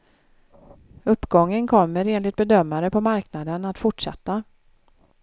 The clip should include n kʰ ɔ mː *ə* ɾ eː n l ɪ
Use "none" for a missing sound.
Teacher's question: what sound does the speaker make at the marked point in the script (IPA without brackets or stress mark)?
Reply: ə